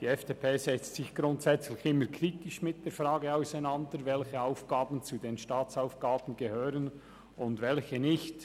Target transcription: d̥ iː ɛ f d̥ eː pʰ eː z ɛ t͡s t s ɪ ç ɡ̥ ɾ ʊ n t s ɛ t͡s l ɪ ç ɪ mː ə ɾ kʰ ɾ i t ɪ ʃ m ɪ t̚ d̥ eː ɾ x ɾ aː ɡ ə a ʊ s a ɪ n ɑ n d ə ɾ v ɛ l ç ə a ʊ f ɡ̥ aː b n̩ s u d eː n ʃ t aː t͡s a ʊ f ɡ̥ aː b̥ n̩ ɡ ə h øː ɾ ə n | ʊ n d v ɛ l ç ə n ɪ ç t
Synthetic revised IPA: d̥ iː ɛ f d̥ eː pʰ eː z ɛ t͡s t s ɪ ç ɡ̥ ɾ ʊ n t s ɛ t͡s l ɪ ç ɪ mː ə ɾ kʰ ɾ i t ɪ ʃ m ɪ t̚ d̥ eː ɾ f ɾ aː ɡ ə a ʊ s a ɪ n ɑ n d ə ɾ v ɛ l ç ə a ʊ f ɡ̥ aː b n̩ t͡s u d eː n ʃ t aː t͡s a ʊ f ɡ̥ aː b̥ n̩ ɡ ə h øː ɾ ə n | ʊ n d v ɛ l ç ə n ɪ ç t